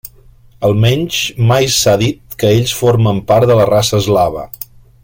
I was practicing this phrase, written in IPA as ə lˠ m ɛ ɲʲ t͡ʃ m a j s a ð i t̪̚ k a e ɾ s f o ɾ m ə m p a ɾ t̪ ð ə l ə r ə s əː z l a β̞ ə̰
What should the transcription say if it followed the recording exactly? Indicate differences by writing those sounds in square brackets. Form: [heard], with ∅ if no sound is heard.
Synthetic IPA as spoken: ə lˠ m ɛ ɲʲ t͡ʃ m a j s a ð i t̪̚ k [ə] e [ʎ] s f o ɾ m ə m p a ɾ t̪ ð ə l ə r [a] s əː z l a β̞ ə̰